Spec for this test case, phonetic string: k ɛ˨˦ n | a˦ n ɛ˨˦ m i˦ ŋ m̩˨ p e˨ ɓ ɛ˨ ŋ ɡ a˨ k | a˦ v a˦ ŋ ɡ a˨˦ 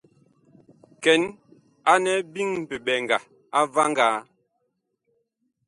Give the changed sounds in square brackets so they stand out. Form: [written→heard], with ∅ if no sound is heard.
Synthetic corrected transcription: k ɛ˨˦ n | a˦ n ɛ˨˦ [m→b] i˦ ŋ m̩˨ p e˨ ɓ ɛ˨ ŋ ɡ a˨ [k→∅] | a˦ v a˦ ŋ ɡ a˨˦